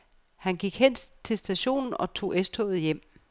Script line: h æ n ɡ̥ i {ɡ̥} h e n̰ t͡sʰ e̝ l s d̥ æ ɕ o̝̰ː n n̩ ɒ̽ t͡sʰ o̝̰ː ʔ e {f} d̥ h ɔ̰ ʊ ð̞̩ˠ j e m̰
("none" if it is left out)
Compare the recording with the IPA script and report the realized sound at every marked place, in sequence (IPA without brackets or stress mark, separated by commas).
ɡ̥, s